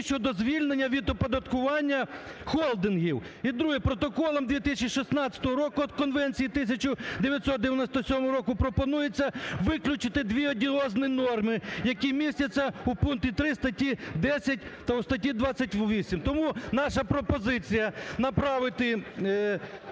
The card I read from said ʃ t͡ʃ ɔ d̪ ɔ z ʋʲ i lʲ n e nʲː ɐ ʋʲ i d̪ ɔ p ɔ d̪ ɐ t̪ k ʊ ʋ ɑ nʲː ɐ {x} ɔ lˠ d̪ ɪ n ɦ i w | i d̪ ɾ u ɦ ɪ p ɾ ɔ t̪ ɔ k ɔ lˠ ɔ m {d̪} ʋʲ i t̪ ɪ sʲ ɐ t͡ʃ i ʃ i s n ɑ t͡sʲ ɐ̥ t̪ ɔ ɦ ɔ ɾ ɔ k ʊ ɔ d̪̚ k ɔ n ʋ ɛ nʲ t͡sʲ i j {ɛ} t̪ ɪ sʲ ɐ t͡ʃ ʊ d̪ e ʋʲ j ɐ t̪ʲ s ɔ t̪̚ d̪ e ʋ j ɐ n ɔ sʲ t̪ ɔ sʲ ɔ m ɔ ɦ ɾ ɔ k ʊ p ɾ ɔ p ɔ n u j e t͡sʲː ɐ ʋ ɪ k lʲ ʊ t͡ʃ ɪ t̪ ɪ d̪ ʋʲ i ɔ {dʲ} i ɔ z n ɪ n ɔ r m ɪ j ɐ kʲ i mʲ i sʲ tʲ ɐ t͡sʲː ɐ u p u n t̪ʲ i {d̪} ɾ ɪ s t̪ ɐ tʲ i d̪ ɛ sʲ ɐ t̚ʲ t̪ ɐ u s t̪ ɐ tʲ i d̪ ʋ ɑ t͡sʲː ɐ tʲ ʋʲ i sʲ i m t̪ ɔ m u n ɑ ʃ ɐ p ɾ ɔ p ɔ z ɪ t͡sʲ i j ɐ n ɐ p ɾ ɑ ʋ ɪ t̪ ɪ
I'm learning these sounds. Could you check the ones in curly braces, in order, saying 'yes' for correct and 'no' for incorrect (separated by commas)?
yes, yes, no, yes, no